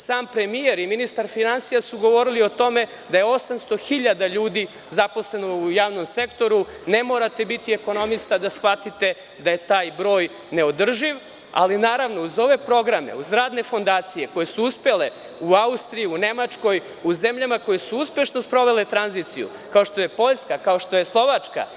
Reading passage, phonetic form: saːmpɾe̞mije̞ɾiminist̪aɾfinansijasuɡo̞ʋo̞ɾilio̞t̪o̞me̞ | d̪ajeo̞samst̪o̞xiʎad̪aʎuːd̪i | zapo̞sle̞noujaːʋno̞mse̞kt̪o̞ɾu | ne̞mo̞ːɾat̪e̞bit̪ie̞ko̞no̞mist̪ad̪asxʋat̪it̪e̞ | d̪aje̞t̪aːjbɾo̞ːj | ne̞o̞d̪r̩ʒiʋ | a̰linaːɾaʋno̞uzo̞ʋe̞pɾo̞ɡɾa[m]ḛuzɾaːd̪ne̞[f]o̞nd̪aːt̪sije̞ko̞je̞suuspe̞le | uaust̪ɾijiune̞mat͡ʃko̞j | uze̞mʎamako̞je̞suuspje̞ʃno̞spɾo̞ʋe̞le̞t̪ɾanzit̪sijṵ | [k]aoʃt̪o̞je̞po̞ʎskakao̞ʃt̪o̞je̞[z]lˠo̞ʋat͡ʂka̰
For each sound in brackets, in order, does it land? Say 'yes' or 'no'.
yes, yes, yes, no

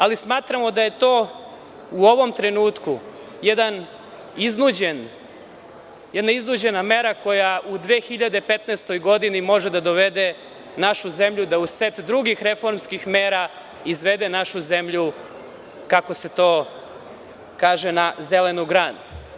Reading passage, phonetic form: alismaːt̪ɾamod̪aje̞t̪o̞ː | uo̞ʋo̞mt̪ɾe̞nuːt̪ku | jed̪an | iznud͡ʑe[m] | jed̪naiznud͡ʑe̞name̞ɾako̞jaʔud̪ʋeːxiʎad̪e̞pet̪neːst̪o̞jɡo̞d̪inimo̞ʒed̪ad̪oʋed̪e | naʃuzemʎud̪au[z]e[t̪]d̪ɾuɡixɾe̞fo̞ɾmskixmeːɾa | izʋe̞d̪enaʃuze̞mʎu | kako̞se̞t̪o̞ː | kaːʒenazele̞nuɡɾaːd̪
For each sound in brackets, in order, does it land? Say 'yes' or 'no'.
no, no, yes

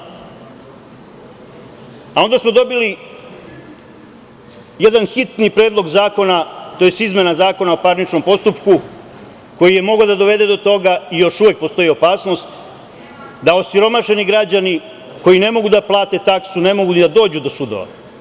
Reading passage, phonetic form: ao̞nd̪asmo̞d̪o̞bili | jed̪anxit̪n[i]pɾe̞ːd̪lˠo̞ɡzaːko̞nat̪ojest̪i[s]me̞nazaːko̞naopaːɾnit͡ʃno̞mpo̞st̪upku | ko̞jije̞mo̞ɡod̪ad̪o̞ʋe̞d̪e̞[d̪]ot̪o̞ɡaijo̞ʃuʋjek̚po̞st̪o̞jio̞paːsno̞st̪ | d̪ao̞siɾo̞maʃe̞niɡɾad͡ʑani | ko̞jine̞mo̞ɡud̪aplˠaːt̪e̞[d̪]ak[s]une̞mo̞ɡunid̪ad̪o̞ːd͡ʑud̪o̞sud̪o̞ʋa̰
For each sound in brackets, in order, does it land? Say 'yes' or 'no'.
yes, no, yes, no, yes

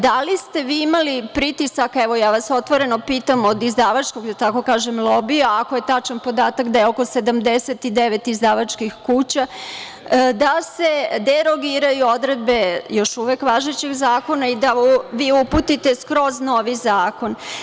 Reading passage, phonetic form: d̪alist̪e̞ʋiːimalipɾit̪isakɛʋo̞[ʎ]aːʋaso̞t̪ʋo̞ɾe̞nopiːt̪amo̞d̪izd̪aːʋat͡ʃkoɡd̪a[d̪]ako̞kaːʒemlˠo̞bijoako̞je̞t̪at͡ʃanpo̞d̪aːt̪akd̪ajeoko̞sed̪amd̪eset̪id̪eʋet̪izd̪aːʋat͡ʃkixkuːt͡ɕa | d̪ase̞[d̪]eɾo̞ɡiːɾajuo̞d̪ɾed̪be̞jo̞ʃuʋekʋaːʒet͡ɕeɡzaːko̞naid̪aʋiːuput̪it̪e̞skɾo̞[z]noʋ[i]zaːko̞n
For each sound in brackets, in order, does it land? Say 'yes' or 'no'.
no, no, yes, yes, yes

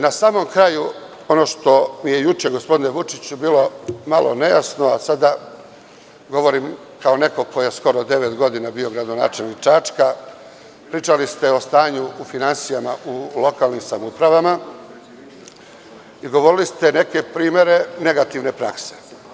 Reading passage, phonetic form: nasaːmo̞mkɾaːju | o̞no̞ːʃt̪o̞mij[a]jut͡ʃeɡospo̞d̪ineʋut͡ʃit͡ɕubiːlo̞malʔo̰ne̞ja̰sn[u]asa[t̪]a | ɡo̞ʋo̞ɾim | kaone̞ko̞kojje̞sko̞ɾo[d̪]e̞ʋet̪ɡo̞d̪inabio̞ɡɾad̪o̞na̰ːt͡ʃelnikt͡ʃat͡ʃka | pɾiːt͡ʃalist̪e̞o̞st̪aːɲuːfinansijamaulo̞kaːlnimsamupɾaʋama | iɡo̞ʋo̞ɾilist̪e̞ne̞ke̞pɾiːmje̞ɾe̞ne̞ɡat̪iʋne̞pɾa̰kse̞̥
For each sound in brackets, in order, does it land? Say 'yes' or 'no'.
no, no, no, yes

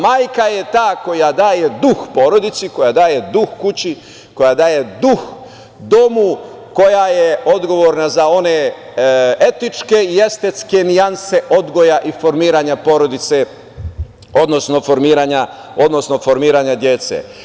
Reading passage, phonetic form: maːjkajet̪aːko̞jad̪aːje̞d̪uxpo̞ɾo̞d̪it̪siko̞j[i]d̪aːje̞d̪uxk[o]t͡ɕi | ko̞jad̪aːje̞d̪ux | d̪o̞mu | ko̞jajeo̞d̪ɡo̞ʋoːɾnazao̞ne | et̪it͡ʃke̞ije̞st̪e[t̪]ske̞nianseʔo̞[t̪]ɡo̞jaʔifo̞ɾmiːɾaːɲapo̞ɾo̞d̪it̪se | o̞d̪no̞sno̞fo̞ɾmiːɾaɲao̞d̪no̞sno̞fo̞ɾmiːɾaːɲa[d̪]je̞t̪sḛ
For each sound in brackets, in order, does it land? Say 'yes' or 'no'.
no, no, yes, no, yes

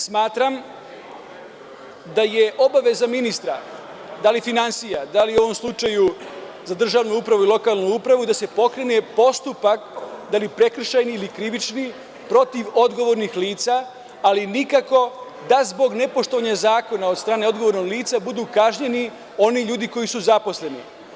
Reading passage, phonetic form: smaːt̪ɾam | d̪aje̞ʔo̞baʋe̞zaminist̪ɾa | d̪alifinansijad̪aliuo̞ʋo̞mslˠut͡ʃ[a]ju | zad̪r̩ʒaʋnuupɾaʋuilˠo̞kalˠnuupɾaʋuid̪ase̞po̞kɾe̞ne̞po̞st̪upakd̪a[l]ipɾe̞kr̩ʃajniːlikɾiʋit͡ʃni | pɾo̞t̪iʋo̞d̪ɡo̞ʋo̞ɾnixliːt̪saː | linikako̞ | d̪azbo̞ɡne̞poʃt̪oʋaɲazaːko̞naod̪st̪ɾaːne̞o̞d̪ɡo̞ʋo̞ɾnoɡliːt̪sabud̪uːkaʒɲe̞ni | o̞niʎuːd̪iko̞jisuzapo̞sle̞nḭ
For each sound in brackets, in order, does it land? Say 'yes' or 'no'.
yes, yes

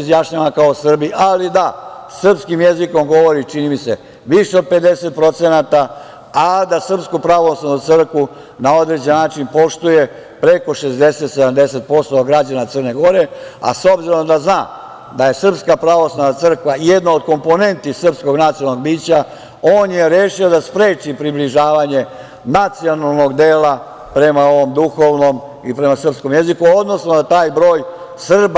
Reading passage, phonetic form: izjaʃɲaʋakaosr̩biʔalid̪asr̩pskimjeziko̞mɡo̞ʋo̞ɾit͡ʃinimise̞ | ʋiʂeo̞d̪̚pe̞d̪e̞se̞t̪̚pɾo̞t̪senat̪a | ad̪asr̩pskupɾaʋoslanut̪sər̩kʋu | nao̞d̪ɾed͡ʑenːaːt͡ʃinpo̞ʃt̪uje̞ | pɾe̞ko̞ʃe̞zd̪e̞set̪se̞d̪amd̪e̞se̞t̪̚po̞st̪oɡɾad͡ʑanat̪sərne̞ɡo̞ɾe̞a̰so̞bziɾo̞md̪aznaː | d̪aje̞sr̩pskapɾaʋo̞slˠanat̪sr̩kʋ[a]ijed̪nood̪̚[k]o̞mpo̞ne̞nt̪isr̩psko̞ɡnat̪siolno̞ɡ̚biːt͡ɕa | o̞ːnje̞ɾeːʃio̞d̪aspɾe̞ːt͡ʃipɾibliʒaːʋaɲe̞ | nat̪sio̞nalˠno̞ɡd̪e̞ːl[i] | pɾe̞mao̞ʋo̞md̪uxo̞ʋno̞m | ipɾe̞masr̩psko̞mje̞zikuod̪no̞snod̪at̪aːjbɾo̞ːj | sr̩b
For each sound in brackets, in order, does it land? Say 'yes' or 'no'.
yes, yes, no

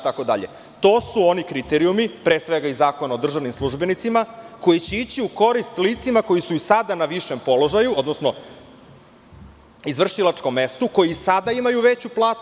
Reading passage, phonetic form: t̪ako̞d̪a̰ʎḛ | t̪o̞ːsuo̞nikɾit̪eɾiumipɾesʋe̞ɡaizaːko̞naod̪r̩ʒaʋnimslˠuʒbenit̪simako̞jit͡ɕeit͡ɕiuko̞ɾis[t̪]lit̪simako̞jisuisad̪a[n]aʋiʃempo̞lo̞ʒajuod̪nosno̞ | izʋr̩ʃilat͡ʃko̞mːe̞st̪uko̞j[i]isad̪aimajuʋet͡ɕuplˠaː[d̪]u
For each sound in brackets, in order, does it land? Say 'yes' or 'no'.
yes, yes, yes, no

